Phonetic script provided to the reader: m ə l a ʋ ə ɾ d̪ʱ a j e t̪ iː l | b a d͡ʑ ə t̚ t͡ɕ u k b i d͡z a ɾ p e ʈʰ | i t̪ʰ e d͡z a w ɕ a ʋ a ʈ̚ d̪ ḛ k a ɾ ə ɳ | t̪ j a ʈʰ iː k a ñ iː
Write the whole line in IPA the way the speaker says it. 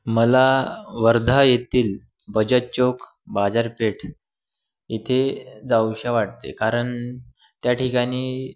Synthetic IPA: m ə l a ʋ ə ɾ d̪ʱ a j e t̪ iː l | b ə d͡ʑ ə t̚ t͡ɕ o k b a d͡z a ɾ p e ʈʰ | i t̪ʰ e d͡z a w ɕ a ʋ a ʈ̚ t̪ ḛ k a ɾ ə ɳ | t̪ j a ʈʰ i k a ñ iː